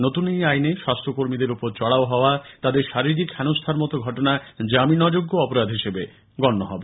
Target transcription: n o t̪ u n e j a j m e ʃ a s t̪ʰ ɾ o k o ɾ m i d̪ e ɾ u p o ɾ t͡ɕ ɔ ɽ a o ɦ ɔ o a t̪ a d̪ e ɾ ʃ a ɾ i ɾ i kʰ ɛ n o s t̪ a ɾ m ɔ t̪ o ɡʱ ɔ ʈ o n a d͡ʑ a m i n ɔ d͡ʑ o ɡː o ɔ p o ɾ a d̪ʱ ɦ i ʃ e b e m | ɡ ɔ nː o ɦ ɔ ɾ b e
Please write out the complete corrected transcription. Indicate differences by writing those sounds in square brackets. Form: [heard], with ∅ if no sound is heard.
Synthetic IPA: n o t̪ u n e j a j [n] e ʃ a s t̪ʰ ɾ o k o ɾ m i d̪ e ɾ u p o ɾ t͡ɕ ɔ ɽ a o ɦ ɔ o a t̪ a d̪ e ɾ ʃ a ɾ i ɾ i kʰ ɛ n o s [t̪ʰ] a ɾ m ɔ t̪ o ɡʱ ɔ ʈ o n a d͡ʑ a m i n ɔ d͡ʑ o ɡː o ɔ p o ɾ a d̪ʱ ɦ i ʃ e b e [∅] | ɡ ɔ nː o ɦ ɔ [∅] b e